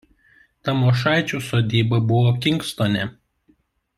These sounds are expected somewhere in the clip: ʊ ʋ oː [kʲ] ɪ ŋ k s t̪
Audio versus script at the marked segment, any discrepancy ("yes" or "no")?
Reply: no